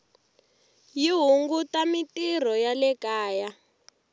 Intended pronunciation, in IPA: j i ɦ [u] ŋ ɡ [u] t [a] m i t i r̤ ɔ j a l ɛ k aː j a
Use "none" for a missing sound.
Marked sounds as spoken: u, u, a

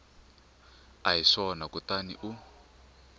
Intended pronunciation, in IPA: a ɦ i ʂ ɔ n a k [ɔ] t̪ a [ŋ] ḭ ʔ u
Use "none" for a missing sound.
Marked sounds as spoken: u, n

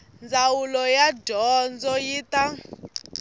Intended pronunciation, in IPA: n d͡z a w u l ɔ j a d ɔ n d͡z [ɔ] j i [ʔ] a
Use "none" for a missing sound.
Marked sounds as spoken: ɔ, t

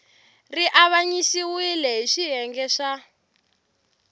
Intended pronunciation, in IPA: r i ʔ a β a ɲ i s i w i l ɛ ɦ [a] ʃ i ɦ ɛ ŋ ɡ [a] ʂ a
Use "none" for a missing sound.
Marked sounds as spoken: i, ɛ

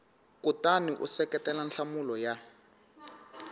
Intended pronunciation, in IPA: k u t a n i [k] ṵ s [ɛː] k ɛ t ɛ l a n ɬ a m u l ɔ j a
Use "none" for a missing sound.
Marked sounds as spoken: ʔ, ɛ

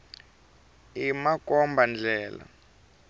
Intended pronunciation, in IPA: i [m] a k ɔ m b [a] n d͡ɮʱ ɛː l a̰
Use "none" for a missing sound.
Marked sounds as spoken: m, a

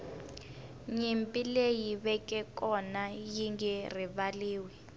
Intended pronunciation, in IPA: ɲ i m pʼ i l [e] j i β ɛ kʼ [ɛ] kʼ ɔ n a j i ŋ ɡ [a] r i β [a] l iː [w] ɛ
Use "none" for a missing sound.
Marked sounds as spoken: e, ɛ, ɛ, a, w

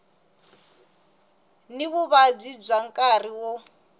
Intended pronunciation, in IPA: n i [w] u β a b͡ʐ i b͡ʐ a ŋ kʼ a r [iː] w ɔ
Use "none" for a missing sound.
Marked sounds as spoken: β, i

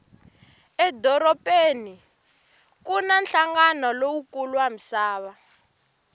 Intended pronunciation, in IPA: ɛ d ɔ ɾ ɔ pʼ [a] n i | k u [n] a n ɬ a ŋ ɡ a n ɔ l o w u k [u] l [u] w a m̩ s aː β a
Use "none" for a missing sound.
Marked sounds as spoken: e, n, u, u

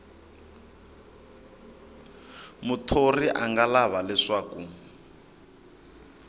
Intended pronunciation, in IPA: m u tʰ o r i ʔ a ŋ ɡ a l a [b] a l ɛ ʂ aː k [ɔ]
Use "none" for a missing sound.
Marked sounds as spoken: β, u

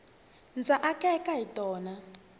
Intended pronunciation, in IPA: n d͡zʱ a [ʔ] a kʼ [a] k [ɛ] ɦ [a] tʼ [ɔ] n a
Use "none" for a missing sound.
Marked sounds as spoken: ʔ, ɛ, a, i, ɔː

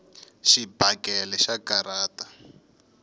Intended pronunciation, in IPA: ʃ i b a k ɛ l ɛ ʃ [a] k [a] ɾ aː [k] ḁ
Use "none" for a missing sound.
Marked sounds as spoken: a, a, t

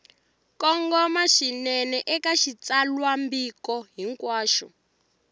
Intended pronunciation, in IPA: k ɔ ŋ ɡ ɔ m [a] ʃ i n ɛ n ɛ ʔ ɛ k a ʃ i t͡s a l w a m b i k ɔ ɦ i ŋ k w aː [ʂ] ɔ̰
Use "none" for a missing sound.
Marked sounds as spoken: a, ʃ

